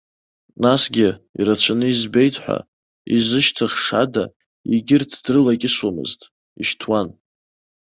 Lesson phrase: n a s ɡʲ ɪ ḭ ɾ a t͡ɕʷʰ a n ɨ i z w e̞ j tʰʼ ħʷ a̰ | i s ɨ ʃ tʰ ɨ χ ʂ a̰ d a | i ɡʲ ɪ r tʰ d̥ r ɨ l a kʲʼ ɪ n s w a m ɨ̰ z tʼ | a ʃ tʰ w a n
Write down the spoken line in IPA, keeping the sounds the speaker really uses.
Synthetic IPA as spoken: n a s ɡʲ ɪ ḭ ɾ a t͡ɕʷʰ a n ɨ i z b e̞ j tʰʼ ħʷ a̰ | i z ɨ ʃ tʰ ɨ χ ʂ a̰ d a | i ɡʲ ɪ r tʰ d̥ r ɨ l a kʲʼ ɪ s w a m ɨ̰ z tʼ | i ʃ tʰ w a n